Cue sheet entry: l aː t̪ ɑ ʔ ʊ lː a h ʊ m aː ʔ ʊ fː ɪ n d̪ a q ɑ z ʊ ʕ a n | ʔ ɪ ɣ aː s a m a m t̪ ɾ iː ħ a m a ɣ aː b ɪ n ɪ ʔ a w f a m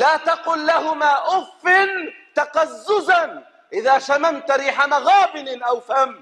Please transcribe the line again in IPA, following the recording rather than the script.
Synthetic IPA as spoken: l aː t̪ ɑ q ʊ lː a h ʊ m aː ʔ ʊ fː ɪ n t̪ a q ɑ zː ʊ z a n | ʔ ɪ ð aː ʃ a m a m t̪ ɾ iː ħ a m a ɣ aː b ɪ n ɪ ʔ a w f a m